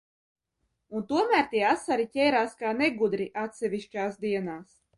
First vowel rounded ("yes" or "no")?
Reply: yes